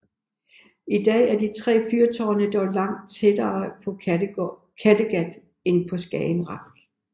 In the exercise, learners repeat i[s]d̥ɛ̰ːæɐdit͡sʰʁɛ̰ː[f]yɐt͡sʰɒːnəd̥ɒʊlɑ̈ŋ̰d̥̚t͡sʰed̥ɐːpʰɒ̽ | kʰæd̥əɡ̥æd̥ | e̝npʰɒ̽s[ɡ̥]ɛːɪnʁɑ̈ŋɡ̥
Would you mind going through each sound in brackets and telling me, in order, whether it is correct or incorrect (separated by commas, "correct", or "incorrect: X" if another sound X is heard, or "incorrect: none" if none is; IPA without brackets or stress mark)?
incorrect: none, correct, correct